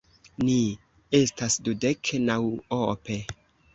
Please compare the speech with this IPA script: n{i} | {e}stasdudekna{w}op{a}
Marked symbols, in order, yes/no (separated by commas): yes, yes, yes, no